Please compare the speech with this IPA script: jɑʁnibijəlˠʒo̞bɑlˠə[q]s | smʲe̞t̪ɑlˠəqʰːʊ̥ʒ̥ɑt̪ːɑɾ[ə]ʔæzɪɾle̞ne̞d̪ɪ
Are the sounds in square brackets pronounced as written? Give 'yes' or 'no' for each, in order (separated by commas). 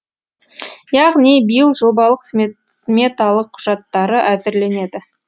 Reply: yes, yes